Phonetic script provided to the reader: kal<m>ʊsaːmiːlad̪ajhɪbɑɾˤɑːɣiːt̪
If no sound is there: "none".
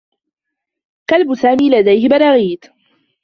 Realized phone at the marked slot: b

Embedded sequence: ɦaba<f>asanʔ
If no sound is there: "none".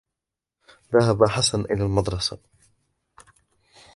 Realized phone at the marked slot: ħ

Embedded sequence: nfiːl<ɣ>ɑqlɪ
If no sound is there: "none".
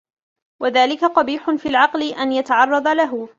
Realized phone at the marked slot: ʕ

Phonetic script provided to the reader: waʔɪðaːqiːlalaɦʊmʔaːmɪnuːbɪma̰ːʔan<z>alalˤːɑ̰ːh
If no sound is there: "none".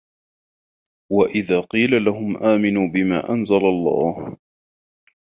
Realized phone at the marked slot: z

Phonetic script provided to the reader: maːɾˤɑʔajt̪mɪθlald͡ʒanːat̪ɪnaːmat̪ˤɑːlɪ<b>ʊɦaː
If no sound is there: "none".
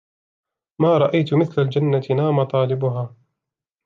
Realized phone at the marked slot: b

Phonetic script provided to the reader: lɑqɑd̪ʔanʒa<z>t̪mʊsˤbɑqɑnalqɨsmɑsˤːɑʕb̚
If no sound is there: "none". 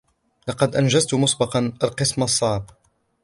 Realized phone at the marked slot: z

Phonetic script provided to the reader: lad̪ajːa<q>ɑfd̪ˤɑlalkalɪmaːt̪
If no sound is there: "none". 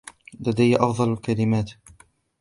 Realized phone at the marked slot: ʔ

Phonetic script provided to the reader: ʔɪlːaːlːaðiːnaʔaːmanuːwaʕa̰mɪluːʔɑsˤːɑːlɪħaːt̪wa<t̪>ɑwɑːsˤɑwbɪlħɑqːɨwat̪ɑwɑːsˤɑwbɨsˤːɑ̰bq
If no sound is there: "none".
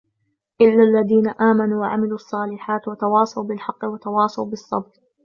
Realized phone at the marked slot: t̪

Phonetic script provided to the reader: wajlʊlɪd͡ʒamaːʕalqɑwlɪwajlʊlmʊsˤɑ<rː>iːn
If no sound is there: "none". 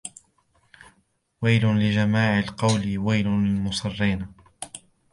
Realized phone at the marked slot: rː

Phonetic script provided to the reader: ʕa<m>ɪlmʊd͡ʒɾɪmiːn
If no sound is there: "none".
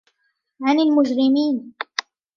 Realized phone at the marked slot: n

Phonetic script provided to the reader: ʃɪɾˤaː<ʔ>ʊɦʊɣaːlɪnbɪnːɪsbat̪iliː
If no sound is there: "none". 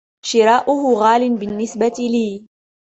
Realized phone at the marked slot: ʔ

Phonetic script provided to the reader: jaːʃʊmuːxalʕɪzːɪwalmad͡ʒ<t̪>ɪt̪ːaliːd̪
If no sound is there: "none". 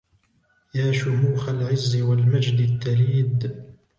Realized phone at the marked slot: d̪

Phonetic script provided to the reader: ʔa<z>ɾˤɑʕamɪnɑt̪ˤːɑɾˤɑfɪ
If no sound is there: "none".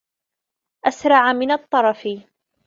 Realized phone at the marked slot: s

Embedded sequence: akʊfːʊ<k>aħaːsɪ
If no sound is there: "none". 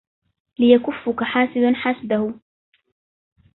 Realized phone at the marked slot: k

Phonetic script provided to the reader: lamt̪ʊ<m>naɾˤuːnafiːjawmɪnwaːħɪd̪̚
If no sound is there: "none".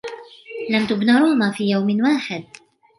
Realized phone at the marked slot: b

